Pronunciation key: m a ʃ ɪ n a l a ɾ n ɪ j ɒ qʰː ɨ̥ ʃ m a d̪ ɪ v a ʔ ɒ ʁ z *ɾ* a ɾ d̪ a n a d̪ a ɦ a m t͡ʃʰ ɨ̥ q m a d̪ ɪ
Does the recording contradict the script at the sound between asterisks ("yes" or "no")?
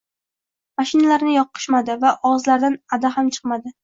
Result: yes